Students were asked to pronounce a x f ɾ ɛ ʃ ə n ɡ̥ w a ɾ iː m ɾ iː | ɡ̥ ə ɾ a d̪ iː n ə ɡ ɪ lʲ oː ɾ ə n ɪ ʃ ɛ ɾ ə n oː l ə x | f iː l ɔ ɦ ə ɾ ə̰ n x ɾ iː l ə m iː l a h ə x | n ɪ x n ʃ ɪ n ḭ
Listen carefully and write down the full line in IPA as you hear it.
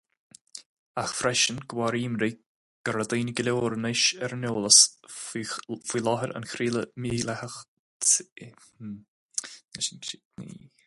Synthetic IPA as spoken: a x f ɾ ɛ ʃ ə n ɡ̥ w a ɾ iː m ɾ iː | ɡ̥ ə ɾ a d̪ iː n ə ɡ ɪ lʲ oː ɾ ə n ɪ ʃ ɛ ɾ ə n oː l ə s | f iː l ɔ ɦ ə ɾ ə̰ n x ɾ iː l ə m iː l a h ə x | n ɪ ʃ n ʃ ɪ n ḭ

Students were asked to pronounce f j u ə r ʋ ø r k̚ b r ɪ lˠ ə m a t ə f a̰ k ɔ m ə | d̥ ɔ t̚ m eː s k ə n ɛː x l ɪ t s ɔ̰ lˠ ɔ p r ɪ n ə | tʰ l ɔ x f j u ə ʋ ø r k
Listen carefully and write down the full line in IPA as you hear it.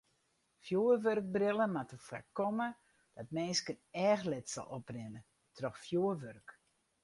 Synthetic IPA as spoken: f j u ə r ʋ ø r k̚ b r ɪ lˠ ə m a t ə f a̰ k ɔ m ə | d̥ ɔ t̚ m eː s k ə n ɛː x l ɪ t s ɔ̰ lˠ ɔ p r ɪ n ə | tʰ r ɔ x f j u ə ʋ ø r k

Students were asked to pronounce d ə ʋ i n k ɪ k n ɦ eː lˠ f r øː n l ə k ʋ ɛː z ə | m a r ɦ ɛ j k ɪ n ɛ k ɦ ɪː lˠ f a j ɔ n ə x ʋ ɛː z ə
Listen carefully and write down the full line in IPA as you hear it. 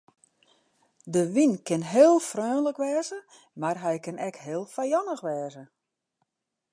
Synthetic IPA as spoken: d ə ʋ i n k ɪ n ɦ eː lˠ f r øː n l ə k ʋ ɛː z ə | m a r ɦ ɛ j k ɪ n ɛ k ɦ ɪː lˠ f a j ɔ n ə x ʋ ɛː z ə

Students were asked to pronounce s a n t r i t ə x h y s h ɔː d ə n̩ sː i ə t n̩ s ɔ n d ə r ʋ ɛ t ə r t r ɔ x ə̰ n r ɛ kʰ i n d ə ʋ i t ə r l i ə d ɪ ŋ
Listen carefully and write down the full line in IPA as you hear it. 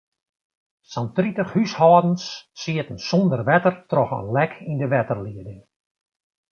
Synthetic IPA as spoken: s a n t r i t ə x h y s h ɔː d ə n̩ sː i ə t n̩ s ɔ n d ə r ʋ ɛ t ə r t r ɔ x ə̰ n l ɛ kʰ i n d ə ʋ ɛ t ə r l i ə d ɪ ŋ

